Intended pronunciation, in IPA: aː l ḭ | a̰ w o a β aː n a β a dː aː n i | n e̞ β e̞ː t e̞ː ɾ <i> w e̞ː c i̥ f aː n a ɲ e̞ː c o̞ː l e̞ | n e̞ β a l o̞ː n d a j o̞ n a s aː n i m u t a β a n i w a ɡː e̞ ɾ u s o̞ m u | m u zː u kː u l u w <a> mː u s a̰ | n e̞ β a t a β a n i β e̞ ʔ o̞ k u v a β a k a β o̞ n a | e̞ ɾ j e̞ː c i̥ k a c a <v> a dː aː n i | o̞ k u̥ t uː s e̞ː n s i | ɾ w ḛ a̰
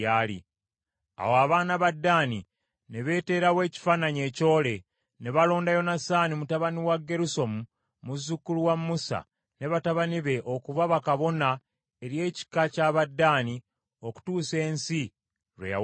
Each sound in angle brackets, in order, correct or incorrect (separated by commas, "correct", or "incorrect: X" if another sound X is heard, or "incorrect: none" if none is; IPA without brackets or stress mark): incorrect: a, correct, incorrect: β